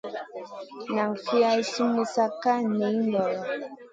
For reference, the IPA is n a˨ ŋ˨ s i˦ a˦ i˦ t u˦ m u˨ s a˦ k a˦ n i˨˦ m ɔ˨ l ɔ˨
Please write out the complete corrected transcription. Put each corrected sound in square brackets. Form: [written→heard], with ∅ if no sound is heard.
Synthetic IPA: n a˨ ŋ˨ [s→f] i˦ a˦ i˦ [t→s] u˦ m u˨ s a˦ k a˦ n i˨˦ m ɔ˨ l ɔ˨

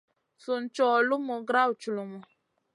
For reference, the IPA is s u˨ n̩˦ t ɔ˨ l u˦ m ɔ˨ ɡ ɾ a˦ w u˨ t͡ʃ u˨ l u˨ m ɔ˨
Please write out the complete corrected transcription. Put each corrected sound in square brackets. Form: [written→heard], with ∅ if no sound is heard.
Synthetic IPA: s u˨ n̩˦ [t→t͡ʃ] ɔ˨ l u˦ m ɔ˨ ɡ ɾ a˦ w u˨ t͡ʃ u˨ l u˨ m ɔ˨

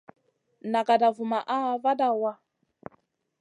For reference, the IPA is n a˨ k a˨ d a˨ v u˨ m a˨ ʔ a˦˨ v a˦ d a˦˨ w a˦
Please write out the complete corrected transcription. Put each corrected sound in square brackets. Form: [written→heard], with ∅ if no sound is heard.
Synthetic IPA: n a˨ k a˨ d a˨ v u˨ m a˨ ʔ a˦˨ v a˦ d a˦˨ w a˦

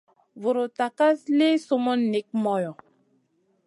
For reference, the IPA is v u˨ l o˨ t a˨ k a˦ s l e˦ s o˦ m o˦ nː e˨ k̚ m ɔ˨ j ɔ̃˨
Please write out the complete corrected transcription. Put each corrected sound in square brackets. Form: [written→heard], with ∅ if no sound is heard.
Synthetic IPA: v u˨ [l→ɾ] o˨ t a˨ k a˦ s l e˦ s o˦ m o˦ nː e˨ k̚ m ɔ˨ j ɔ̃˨

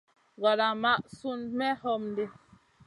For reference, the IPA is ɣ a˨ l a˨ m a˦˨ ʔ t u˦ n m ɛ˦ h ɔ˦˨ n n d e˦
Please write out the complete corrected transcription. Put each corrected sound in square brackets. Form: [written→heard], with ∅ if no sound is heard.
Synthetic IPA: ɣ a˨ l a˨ m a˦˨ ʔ [t→s] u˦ n m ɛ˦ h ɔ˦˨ [n→m] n d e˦

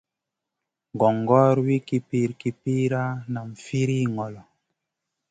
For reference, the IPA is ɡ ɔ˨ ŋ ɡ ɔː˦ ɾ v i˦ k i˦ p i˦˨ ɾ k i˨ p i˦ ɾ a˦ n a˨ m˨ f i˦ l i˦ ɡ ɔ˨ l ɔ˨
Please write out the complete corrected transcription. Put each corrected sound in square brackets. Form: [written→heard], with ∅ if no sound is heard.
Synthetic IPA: ɡ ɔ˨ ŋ ɡ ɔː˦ ɾ [v→w] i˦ k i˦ p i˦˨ ɾ k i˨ p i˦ ɾ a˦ n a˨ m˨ f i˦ [l→ɾ] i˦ [ɡ→ŋ] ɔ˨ l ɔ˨

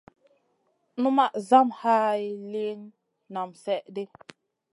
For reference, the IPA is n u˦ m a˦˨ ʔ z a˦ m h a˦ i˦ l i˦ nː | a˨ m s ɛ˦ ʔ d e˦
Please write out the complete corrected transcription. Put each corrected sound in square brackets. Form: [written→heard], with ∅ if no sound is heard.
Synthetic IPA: n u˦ m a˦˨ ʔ z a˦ m h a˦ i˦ l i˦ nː | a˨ m s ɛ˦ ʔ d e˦

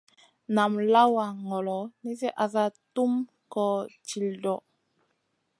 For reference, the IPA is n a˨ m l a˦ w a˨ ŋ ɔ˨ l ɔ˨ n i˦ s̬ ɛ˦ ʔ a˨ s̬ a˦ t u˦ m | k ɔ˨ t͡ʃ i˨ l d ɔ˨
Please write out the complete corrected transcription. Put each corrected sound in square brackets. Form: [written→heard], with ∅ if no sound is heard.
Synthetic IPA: n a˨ m l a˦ w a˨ ŋ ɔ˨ l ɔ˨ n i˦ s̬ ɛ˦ ʔ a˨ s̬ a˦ t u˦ m | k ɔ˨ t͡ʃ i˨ l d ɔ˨

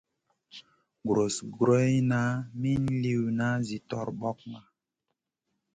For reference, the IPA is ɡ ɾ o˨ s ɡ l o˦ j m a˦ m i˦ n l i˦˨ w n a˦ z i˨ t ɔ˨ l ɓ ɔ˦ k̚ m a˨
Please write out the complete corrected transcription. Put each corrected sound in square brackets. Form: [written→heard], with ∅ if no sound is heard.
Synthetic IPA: ɡ ɾ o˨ s ɡ [l→ɾ] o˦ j [m→n] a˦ m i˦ n l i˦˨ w n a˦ z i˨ t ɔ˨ [l→ɾ] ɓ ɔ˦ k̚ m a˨

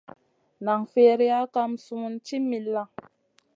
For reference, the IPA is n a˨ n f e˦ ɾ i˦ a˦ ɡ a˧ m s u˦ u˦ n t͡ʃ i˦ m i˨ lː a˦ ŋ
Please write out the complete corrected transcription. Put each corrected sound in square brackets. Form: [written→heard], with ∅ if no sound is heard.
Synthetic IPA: n a˨ [n→ŋ] f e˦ ɾ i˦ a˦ [ɡ→k] a˧ m s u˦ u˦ n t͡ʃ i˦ m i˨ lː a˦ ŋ

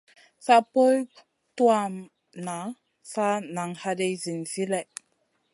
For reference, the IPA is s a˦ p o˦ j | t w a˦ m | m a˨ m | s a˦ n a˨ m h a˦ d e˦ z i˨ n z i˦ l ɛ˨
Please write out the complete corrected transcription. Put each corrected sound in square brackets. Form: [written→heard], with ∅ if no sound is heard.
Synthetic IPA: s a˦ p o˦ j | t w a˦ m | [m→n] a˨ [m→∅] | s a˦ n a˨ [m→ŋ] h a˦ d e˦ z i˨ n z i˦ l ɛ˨

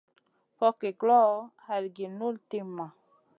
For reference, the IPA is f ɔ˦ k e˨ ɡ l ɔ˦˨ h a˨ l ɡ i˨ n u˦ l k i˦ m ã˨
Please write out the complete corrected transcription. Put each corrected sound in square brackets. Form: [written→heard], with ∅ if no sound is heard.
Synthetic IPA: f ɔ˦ k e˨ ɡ l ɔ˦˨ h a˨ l ɡ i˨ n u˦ l [k→t] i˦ m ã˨

